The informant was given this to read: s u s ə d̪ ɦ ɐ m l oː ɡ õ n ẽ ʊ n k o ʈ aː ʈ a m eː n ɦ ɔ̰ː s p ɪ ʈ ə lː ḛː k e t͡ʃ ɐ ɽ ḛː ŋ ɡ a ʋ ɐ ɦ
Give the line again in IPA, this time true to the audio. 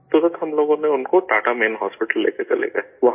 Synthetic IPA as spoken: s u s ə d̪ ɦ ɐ m l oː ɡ õ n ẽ ʊ n k o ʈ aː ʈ a m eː n ɦ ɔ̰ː s p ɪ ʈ ə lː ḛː k e t͡ʃ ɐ l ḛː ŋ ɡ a ʋ ɐ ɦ